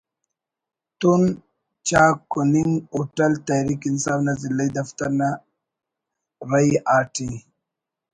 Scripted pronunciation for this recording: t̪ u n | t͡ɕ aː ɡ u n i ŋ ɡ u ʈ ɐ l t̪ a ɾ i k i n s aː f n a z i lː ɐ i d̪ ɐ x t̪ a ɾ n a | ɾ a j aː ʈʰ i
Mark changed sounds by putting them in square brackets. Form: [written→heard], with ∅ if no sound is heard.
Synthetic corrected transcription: t̪ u n | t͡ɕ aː [ɡ→k] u n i ŋ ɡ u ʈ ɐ l t̪ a ɾ i k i n s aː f n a z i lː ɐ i d̪ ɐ [x→f] t̪ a ɾ n a | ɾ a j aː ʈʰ i